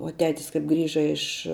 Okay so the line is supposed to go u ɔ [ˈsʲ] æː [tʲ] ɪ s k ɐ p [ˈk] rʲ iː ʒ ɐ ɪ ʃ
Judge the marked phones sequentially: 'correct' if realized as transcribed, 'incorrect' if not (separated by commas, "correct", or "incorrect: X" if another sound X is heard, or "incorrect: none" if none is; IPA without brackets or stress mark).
incorrect: tʲ, correct, incorrect: ɡ